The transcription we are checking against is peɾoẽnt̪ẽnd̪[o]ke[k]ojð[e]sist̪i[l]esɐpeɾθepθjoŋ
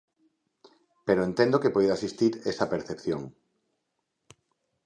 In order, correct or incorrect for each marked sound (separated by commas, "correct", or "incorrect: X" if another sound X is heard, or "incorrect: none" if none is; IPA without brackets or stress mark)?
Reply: correct, incorrect: p, incorrect: a, incorrect: ɾ